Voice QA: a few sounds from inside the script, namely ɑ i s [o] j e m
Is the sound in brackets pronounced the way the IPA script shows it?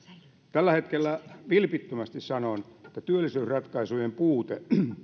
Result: no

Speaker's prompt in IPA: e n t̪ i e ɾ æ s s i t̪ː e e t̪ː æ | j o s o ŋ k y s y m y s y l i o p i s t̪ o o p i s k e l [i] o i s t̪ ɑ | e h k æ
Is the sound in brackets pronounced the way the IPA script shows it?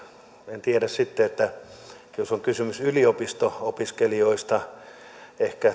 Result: yes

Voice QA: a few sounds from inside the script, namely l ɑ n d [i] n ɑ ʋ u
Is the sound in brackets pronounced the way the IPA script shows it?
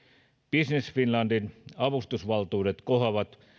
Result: yes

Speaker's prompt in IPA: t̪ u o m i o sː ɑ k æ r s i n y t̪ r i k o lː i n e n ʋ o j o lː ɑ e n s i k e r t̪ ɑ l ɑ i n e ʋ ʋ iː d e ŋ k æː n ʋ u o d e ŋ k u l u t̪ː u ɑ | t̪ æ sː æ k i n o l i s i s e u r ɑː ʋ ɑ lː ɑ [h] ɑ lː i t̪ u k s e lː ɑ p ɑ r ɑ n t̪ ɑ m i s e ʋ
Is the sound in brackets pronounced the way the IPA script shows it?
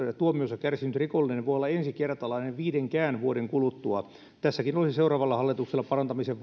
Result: yes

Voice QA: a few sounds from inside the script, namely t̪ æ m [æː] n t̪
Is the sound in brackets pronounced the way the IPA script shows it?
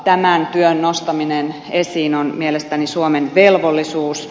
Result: no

